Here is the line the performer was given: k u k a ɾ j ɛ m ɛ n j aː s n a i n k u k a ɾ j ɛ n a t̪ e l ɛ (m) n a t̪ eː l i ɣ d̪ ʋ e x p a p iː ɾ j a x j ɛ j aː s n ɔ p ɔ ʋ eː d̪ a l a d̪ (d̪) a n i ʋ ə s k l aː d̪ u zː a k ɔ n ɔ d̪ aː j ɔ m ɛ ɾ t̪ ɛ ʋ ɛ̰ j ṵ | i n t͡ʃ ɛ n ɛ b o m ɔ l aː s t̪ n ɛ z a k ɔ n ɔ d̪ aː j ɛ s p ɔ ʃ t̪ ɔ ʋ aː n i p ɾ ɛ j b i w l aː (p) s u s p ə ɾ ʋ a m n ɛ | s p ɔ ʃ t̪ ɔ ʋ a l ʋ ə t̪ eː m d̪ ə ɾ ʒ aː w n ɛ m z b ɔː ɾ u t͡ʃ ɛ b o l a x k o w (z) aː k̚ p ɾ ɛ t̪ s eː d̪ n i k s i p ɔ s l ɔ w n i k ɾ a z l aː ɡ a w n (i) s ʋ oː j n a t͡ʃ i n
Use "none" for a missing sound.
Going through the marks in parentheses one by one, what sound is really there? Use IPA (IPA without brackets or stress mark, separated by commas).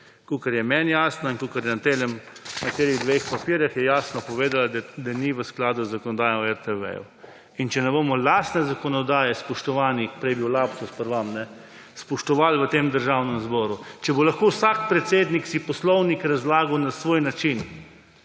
m, d̪, p, s, a